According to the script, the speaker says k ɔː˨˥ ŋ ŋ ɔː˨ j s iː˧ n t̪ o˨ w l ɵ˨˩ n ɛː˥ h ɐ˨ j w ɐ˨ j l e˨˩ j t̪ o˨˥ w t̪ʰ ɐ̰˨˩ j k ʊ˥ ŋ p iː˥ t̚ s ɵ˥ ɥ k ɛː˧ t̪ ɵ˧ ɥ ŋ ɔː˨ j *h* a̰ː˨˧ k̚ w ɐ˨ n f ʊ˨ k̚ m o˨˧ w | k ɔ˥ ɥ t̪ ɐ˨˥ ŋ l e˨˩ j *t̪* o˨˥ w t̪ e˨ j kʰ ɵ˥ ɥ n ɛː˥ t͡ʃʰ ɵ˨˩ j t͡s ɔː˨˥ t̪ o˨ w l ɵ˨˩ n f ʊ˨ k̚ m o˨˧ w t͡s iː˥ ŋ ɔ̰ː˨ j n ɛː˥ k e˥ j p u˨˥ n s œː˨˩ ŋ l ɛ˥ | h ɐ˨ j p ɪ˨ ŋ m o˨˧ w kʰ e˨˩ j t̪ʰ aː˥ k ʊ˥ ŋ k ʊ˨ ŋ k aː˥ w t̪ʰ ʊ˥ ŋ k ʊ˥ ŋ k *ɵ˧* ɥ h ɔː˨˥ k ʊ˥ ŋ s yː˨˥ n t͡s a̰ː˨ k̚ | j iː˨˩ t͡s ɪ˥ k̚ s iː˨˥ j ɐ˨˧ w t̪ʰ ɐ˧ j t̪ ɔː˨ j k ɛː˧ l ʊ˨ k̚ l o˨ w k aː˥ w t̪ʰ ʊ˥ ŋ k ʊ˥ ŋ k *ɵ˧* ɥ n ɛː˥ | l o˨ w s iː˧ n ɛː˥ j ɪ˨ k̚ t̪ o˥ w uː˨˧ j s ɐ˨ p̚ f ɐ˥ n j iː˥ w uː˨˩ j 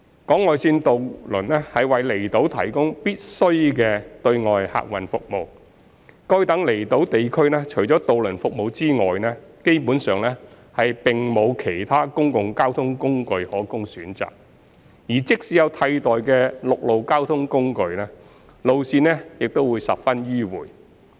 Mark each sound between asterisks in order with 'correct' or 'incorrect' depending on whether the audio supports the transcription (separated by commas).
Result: correct, correct, correct, correct